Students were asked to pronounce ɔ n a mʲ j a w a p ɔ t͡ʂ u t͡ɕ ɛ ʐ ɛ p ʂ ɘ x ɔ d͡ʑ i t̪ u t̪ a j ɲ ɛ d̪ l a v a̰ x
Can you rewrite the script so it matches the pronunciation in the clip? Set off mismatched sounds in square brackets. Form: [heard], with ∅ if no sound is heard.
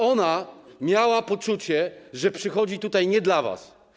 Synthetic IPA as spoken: ɔ n a mʲ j a w a p ɔ t͡ʂ u t͡ɕ ɛ ʐ ɛ p ʂ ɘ x ɔ d͡ʑ i t̪ u t̪ a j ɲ ɛ d̪ l a v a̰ [s]